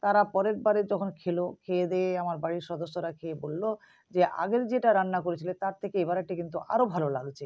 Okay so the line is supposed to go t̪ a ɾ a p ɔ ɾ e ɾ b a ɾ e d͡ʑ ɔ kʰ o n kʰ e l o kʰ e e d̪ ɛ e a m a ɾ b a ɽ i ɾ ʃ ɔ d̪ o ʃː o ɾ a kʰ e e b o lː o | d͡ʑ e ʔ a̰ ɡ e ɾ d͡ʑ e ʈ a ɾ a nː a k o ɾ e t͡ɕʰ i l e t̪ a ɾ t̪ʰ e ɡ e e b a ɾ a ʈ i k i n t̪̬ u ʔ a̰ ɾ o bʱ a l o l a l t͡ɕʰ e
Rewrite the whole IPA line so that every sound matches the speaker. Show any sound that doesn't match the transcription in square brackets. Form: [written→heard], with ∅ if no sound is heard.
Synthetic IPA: t̪ a ɾ a p ɔ ɾ e ɾ b a ɾ e d͡ʑ ɔ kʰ o n kʰ e l o kʰ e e d̪ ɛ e a m a ɾ b a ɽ i ɾ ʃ ɔ d̪ o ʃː o ɾ a kʰ e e b o lː o | d͡ʑ e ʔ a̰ ɡ e ɾ d͡ʑ e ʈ a ɾ a nː a k o ɾ e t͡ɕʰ i l e t̪ a ɾ t̪ʰ e [ɡ→k] e e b a ɾ a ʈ i k i n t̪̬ u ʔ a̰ ɾ o bʱ a l o l a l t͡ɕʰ e